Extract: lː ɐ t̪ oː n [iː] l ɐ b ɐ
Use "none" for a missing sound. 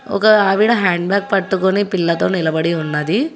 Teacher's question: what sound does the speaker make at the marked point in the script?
i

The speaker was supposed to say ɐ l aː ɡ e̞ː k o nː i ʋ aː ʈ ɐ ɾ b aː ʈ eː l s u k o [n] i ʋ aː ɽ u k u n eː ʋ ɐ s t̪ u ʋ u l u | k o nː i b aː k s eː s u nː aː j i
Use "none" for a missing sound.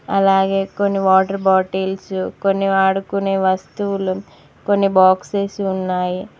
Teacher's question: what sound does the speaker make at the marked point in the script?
nː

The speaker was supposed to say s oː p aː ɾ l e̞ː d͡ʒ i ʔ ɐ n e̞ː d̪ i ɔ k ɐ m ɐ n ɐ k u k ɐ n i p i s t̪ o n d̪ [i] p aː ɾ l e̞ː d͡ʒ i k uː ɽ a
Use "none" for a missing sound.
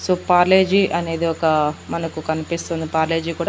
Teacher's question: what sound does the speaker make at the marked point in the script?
i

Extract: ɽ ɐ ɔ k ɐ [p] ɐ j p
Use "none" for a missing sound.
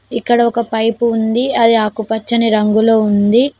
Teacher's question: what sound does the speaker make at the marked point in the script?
p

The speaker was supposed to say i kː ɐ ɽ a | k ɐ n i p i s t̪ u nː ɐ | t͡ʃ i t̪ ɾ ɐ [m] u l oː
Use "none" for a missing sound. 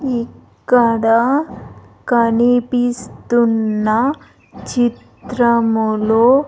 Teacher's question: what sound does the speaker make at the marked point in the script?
m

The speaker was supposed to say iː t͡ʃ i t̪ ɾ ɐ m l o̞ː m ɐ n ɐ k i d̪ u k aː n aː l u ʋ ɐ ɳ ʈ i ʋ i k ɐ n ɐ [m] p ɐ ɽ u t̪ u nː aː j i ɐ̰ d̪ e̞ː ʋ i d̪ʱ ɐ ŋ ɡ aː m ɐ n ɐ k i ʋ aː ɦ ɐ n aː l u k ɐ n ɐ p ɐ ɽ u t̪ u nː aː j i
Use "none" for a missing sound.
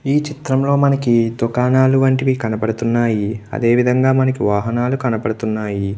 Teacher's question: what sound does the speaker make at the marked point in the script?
none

